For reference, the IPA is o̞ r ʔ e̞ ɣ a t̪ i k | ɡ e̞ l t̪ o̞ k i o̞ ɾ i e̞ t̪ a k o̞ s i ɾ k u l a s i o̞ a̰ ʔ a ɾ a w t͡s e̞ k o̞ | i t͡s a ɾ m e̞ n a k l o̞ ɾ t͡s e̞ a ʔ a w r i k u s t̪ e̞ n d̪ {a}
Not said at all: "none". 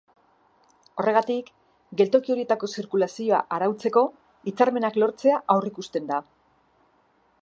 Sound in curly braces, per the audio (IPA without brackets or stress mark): a